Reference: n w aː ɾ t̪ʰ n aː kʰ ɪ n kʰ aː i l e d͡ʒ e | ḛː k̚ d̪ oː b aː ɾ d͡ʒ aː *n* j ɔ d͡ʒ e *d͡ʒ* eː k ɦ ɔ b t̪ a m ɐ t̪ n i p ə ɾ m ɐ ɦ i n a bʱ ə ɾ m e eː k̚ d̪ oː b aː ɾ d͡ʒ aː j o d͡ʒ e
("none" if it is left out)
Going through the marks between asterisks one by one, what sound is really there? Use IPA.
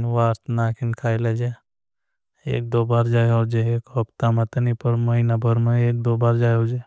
none, none

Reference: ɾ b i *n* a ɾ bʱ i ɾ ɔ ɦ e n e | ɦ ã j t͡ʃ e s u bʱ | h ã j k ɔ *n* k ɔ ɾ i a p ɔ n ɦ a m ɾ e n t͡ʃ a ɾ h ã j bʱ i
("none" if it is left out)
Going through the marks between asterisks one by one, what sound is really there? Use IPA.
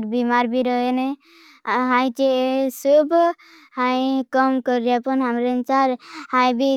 m, m

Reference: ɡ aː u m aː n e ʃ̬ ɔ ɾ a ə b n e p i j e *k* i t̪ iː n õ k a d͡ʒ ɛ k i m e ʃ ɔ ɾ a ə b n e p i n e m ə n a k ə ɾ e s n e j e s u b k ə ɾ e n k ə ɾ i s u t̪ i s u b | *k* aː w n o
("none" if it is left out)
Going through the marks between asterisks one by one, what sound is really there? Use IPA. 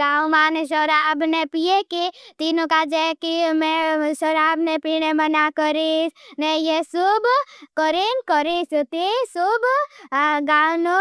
k, ɡ

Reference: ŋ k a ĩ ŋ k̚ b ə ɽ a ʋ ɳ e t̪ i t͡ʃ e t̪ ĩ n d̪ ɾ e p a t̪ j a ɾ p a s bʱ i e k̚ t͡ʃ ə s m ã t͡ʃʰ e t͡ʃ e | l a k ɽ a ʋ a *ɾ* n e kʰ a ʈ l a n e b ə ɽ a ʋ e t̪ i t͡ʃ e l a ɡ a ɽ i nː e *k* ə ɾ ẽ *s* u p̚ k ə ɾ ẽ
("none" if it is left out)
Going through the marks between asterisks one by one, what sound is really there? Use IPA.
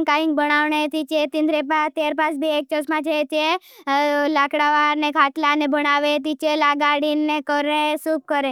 ɾ, k, s

